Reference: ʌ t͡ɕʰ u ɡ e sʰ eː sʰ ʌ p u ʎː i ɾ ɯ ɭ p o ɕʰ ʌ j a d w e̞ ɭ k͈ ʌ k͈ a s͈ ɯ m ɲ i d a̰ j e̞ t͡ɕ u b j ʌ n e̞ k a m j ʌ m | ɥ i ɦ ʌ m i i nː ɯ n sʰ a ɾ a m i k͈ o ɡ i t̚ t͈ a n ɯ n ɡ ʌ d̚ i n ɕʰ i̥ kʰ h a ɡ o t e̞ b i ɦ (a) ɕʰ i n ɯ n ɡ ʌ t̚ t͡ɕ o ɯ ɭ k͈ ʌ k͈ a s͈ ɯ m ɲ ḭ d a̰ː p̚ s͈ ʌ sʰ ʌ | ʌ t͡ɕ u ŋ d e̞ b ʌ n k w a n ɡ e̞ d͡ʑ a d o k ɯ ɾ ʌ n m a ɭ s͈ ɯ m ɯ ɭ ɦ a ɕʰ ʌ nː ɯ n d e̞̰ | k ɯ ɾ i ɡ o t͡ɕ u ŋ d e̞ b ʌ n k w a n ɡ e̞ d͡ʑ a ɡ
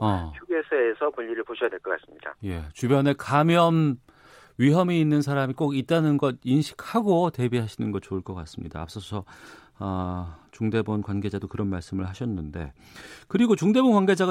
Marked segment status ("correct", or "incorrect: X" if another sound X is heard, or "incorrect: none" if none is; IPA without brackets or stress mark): correct